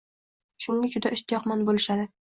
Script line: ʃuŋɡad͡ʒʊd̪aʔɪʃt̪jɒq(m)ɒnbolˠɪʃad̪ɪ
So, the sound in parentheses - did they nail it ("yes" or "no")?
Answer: yes